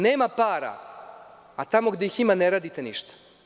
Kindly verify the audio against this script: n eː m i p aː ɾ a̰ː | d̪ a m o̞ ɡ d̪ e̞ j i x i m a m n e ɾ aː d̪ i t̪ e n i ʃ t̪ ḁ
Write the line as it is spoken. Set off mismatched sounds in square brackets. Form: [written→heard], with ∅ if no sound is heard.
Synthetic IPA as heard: n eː m [i→a] p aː ɾ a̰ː | [d̪→t̪] a m o̞ ɡ d̪ e̞ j i x i m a [m→∅] n e ɾ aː d̪ i t̪ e n i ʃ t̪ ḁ